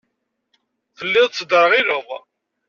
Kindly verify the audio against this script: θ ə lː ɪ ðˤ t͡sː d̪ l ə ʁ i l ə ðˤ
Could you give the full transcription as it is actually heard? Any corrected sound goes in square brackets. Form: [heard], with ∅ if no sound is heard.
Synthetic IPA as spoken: θ ə lː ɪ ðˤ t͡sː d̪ [ɾ] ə ʁ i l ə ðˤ